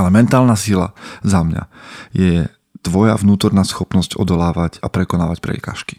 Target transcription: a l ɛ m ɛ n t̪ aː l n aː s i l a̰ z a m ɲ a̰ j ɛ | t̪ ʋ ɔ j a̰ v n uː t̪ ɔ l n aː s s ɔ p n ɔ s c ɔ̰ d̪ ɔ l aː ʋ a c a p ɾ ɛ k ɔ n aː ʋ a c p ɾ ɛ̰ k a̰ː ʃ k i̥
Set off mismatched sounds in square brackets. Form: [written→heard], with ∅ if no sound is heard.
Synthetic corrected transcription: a l ɛ m ɛ n t̪ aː l n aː s i l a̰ z a m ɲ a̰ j ɛ | t̪ ʋ ɔ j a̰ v n uː t̪ ɔ [l→ɾ] n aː s [s→x] ɔ p n ɔ s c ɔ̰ d̪ ɔ l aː ʋ a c a p ɾ ɛ k ɔ n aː ʋ a c p ɾ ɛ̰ k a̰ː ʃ k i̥